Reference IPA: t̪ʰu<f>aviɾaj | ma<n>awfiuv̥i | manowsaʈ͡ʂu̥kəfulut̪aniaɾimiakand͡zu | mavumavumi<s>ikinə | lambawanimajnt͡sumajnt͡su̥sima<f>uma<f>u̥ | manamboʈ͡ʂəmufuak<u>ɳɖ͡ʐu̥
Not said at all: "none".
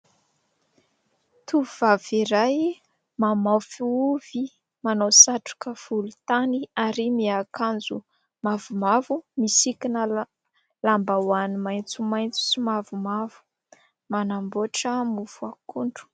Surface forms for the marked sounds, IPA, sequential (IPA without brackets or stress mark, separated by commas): v, m, s, v, v, u